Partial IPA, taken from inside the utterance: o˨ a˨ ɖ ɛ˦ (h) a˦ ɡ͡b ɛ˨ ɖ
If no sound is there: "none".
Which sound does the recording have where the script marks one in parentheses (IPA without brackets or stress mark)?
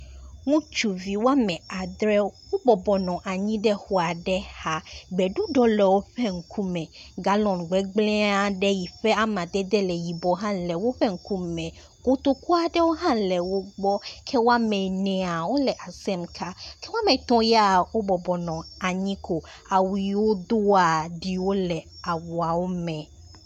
h